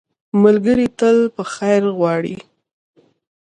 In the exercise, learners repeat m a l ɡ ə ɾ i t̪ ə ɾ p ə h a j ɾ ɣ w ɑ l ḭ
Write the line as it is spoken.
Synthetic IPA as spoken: m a l ɡ ə ɾ i t̪ ə l p ə x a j ɾ ɣ w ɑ ɽ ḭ